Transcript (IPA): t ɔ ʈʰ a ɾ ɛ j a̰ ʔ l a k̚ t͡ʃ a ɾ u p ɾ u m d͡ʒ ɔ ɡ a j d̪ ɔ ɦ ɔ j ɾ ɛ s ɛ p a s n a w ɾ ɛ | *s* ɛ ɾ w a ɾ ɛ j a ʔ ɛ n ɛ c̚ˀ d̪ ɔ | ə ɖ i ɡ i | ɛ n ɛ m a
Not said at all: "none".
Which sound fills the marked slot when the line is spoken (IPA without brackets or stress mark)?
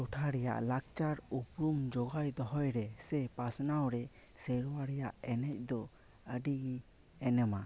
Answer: s